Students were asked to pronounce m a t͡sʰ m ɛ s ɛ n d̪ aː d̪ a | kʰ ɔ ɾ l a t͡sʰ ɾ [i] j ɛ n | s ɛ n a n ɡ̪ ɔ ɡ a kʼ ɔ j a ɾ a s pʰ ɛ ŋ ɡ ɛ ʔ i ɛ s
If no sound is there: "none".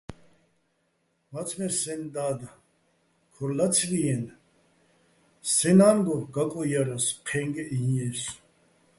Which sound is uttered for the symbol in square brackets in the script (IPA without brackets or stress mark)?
i